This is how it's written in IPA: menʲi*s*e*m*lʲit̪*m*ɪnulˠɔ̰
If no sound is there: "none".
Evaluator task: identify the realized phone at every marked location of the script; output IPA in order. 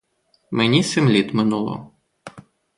s, m, m

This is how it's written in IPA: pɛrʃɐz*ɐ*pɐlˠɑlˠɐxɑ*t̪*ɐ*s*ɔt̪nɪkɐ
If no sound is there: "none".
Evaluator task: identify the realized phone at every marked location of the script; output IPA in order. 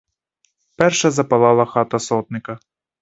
ɐ, t̪, s

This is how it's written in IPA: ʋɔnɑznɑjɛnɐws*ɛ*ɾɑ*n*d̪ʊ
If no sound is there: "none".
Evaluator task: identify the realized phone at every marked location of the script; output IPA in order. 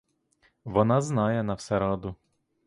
ɛ, none

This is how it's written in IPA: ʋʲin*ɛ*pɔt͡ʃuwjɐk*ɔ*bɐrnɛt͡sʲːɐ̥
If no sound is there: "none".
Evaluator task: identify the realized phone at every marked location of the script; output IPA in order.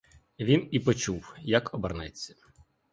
i, ɔ

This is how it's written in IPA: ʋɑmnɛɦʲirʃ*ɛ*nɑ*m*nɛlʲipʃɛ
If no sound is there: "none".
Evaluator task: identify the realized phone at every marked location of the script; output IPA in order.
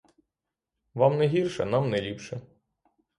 ɛ, m

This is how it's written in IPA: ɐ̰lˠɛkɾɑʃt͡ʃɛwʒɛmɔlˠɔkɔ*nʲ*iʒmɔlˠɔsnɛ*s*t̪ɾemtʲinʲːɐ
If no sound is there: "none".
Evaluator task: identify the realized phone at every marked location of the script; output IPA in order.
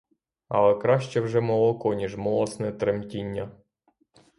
nʲ, none

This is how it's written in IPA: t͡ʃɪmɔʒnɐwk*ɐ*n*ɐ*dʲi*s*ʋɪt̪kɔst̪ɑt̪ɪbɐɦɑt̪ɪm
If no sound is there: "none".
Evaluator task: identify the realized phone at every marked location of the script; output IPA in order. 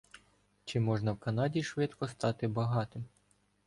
ɐ, ɑ, ʃ

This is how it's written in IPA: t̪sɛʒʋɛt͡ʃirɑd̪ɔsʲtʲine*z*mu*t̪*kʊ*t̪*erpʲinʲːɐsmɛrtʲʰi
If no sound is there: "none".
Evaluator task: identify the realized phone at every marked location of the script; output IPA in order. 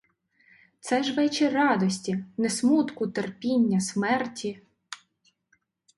s, t̪, t̪

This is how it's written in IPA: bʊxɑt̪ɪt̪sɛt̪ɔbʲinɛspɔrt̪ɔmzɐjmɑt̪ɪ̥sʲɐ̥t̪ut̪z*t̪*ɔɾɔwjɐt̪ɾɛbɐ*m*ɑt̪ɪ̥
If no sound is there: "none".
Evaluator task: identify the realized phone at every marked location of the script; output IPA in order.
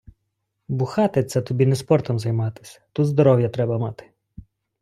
d̪, m

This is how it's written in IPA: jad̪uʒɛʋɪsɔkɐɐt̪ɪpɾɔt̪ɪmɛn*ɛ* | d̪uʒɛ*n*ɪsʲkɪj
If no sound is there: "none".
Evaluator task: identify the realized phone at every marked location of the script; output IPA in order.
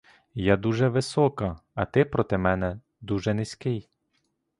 ɛ, n

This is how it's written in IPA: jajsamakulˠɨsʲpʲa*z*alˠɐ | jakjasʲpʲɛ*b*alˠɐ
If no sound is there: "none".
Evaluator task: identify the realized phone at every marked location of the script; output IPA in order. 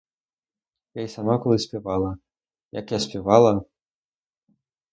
v, v

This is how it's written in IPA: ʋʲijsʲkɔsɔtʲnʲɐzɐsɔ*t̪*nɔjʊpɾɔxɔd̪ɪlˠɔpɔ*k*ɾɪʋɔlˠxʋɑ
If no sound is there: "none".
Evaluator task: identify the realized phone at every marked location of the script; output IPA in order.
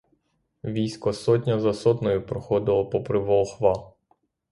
t̪, p

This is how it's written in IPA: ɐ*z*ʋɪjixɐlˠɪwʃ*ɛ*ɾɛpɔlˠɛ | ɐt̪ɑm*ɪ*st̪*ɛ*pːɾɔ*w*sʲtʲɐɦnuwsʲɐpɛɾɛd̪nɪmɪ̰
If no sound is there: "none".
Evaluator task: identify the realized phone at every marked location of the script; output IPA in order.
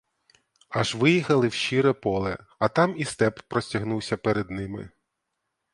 ʒ, i, i, ɛ, none

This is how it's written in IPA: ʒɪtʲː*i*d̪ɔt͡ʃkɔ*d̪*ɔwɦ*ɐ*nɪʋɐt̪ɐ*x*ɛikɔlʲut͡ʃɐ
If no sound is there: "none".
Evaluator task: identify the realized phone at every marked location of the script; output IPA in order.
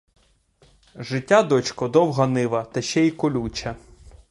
a, d̪, ɐ, ʃ

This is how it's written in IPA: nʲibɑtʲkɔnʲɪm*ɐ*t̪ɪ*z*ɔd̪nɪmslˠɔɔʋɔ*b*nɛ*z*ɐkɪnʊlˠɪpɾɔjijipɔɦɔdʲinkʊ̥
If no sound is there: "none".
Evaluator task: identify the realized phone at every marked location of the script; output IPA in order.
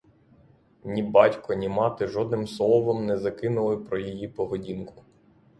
ɑ, ʒ, m, z

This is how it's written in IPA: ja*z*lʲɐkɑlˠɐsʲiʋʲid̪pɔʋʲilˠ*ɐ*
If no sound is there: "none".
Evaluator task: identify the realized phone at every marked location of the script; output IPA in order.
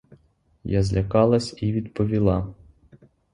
z, ɑ

